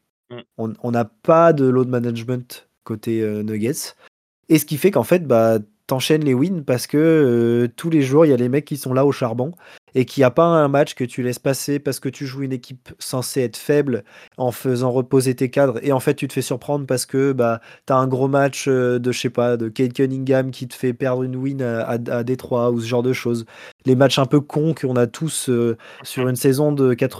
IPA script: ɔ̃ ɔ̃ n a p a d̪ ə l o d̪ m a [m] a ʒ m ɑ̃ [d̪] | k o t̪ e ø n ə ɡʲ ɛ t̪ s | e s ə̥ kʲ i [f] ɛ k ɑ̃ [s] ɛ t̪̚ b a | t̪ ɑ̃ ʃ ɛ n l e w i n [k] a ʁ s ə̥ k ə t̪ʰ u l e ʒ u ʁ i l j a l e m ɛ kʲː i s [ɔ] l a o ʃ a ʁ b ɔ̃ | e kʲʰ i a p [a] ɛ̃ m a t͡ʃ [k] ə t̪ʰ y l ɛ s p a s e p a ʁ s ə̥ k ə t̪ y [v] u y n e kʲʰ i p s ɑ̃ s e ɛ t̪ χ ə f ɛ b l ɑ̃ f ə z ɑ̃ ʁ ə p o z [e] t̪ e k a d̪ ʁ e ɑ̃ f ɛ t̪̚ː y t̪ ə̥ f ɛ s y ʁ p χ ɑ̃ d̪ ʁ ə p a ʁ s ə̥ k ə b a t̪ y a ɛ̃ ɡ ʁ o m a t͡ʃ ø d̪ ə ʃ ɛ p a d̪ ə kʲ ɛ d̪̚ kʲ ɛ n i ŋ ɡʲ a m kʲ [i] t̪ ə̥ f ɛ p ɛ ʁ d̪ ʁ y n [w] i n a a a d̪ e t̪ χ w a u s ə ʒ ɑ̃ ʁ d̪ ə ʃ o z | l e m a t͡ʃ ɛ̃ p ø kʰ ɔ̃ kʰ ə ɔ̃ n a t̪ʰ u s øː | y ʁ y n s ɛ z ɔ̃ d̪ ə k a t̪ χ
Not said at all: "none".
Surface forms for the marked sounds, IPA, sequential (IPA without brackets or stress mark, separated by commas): n, t̪, f, f, p, ɔ̃, a, k, ʒ, e, i, w